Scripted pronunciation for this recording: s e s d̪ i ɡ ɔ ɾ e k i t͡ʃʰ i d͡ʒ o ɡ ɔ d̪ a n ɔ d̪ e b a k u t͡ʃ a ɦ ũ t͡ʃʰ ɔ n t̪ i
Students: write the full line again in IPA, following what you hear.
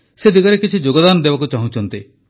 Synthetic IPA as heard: s e d̪ i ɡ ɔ ɾ e k i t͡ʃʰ i d͡ʒ o ɡ ɔ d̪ a n ɔ d̪ e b a k u t͡ʃ a ɦ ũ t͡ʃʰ ɔ n t̪ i